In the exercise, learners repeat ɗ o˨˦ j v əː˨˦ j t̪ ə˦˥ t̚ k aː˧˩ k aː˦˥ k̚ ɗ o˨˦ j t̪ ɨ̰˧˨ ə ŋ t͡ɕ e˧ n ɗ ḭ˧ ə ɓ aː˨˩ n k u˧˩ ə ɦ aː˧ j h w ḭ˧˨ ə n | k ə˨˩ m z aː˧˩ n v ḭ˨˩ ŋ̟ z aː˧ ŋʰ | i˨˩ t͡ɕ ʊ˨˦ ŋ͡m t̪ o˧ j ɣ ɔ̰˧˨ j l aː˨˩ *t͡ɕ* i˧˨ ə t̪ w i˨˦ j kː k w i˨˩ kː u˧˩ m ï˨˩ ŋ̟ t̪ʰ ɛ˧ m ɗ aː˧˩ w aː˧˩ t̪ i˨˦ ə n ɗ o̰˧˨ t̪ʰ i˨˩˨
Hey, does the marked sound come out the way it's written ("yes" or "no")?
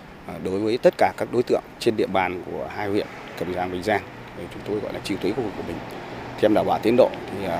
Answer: yes